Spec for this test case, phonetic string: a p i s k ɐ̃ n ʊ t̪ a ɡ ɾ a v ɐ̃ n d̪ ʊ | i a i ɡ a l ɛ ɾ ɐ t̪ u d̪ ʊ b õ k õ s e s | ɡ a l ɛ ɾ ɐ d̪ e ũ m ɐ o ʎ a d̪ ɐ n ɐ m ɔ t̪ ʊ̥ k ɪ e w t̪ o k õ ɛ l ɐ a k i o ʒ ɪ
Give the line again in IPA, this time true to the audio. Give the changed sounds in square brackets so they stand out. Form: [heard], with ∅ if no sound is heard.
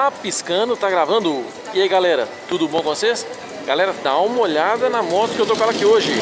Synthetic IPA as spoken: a p i s k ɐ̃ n ʊ t̪ a ɡ ɾ a v ɐ̃ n d̪ ʊ | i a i ɡ a l ɛ ɾ ɐ t̪ u d̪ ʊ b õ k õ s e s | ɡ a l ɛ ɾ ɐ d̪ [a] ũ m ɐ o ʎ a d̪ ɐ n ɐ m ɔ t̪ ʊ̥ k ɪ e w t̪ o k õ ɛ l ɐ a k i o ʒ ɪ